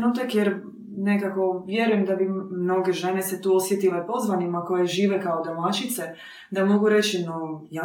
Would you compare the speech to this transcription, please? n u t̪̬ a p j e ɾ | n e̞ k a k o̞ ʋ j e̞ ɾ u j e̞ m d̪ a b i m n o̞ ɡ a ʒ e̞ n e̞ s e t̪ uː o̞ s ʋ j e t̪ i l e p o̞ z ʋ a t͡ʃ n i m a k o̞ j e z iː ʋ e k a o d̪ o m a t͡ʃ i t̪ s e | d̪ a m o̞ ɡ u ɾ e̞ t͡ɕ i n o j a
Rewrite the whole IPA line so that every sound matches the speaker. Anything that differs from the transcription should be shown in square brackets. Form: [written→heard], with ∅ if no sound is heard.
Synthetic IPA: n u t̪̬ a [p→k] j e ɾ | n e̞ k a k o̞ ʋ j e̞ ɾ u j e̞ m d̪ a b i m n o̞ ɡ [a→e] ʒ e̞ n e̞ s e t̪ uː o̞ s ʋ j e t̪ i l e p o̞ z ʋ a [t͡ʃ→∅] n i m a k o̞ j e [z→ʒ] iː ʋ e k a o d̪ o m a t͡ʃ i t̪ s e | d̪ a m o̞ ɡ u ɾ e̞ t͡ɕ i n o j a